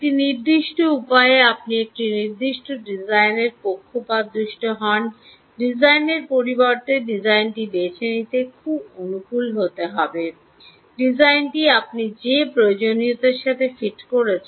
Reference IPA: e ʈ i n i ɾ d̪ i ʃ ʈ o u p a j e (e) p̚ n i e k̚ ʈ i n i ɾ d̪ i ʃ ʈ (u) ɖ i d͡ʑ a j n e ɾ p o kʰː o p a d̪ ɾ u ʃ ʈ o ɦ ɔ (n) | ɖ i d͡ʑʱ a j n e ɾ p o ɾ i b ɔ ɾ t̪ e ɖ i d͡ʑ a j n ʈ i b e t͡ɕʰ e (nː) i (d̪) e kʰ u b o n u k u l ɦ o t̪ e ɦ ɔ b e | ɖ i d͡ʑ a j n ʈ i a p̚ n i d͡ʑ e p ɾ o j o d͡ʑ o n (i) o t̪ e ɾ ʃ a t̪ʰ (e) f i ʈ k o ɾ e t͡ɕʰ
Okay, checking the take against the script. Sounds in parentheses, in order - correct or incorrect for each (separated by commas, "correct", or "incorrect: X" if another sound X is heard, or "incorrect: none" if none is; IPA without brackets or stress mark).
incorrect: a, incorrect: o, correct, incorrect: n, incorrect: t̪, correct, correct